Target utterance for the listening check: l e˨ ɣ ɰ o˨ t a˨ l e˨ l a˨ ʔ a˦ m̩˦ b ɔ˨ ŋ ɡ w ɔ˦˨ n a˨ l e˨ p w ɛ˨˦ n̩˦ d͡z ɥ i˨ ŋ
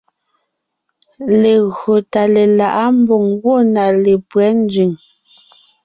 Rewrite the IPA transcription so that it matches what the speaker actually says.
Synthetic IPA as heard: l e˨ ɣ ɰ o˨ t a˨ l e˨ l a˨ ʔ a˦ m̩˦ b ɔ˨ ŋ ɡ w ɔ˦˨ n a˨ l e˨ p w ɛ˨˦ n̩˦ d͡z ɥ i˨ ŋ